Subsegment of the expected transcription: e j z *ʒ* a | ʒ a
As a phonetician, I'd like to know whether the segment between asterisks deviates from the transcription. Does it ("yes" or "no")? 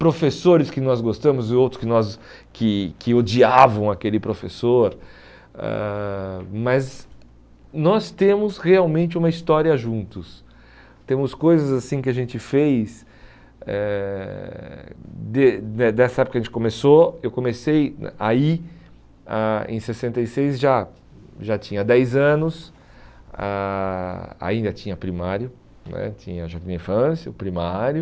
no